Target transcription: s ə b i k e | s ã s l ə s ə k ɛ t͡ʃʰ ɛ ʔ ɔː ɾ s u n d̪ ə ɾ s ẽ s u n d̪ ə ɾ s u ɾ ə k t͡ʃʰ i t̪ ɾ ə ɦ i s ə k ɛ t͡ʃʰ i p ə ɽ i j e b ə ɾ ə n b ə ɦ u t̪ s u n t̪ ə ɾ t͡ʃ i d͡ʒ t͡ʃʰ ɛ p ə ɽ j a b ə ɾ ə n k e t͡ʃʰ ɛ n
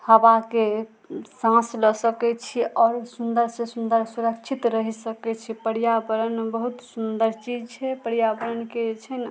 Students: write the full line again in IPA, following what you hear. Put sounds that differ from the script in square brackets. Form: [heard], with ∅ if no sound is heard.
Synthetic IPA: [h] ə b [a] k e | s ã s l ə s ə k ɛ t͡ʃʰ [i] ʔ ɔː ɾ s u n d̪ ə ɾ s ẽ s u n d̪ ə ɾ s u ɾ ə k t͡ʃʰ i t̪ ɾ ə ɦ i s ə k ɛ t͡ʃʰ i p ə ɽ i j [a] b ə ɾ ə n b ə ɦ u t̪ s u n [d̪] ə ɾ t͡ʃ i d͡ʒ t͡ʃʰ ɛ p ə ɽ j a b ə ɾ ə n k e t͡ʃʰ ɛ n